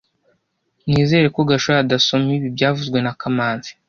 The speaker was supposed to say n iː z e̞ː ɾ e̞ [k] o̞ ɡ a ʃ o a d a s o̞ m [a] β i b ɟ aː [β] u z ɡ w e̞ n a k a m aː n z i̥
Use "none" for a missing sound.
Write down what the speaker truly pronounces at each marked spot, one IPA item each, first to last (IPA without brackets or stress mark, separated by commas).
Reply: k, i, v